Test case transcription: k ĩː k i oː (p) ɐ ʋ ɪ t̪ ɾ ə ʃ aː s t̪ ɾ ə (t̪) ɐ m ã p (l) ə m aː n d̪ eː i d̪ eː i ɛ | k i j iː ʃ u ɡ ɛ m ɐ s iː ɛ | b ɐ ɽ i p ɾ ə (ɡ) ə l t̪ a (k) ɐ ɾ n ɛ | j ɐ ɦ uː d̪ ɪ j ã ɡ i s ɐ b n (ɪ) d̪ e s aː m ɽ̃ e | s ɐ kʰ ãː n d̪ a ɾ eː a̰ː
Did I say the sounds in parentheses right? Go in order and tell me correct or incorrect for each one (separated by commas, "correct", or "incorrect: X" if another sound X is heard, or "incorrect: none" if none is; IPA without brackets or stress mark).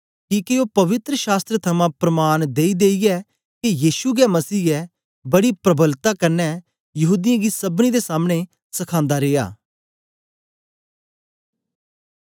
correct, incorrect: t̪ʰ, incorrect: ɾ, incorrect: b, correct, incorrect: i